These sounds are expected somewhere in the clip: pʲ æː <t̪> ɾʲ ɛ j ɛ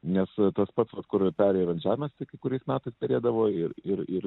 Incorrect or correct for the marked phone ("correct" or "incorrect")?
incorrect